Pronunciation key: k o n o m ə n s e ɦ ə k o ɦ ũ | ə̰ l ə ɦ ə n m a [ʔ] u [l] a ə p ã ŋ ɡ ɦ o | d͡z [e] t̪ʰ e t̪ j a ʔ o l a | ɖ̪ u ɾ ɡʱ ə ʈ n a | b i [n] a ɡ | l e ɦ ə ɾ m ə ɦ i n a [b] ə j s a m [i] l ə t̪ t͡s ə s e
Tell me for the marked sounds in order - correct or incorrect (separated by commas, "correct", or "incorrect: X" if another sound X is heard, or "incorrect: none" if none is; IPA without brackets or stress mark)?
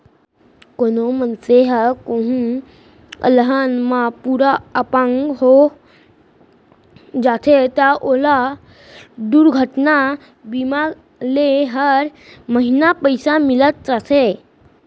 incorrect: p, incorrect: ɾ, incorrect: a, incorrect: m, incorrect: p, correct